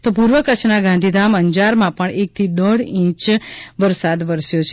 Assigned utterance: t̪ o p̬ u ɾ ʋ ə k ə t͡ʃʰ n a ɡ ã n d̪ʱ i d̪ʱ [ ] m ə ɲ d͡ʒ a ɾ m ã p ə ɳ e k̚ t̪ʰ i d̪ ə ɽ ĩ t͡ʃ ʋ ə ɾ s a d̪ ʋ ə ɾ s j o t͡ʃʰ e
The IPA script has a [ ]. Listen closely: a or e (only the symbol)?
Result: a